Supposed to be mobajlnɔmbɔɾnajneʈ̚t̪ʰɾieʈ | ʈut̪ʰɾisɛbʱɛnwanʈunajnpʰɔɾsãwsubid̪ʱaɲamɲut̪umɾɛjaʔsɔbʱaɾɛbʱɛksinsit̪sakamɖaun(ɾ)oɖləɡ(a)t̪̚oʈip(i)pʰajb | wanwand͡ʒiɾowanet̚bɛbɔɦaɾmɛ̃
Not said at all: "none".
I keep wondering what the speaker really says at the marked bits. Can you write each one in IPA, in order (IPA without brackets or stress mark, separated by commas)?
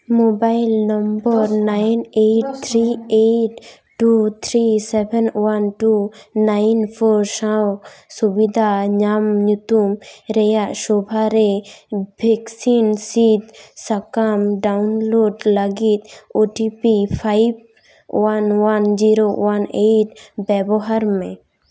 l, i, i